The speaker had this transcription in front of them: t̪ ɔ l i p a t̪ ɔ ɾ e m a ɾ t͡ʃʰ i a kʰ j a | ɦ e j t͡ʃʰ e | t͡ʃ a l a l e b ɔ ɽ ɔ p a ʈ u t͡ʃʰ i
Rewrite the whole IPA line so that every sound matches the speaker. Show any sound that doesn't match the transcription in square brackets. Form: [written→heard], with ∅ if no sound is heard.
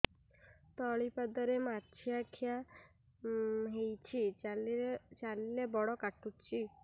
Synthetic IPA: t̪ ɔ [l→ɭ] i p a [t̪→d̪] ɔ ɾ e m a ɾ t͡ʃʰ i a kʰ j a | ɦ e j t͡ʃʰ [e→i] | t͡ʃ a l [a→i] l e b ɔ ɽ ɔ [p→k] a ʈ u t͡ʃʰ i